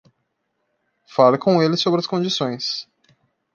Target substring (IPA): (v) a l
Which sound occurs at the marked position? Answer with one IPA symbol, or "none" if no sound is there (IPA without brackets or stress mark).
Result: f